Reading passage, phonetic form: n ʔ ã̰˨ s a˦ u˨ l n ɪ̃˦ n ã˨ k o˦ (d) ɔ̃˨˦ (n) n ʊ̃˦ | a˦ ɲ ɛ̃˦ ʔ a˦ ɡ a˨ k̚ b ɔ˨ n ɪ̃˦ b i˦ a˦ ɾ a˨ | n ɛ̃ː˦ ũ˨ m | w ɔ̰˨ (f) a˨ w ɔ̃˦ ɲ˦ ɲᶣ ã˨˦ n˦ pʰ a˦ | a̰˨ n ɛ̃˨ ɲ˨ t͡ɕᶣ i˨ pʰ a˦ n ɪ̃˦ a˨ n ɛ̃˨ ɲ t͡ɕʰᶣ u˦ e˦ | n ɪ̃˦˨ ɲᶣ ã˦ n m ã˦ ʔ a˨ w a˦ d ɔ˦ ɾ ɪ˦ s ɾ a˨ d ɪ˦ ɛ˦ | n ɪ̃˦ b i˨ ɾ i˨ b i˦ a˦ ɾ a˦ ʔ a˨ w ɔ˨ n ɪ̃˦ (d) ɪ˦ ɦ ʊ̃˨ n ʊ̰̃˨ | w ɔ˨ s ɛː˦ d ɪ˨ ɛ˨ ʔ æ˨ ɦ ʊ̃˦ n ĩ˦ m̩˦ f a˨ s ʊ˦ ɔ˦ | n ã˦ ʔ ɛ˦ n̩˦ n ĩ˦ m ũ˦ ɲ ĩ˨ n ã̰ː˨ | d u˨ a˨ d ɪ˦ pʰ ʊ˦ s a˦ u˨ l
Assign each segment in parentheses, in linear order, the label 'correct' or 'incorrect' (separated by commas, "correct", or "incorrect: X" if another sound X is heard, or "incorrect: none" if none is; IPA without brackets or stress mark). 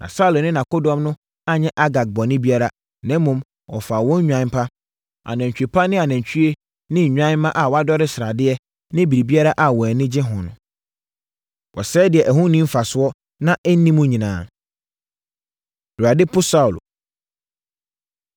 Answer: correct, incorrect: m, correct, incorrect: d͡ʑ